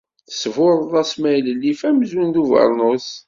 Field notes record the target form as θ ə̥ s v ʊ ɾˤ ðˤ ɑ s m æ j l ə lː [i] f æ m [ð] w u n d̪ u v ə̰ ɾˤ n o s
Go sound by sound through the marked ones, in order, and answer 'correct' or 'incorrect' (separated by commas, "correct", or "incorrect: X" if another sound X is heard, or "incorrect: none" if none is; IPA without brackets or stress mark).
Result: correct, incorrect: z